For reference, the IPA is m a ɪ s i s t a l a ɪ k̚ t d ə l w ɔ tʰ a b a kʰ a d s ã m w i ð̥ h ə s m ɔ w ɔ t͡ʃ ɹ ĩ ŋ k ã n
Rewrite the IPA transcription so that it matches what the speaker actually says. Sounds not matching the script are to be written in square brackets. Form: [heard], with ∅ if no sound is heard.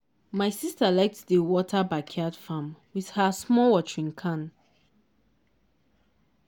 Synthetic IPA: m a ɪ s i s t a l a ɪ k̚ t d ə [∅] w ɔ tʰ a b a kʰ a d [f] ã m w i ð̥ h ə s m ɔ w ɔ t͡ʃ ɹ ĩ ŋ [kʰ] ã n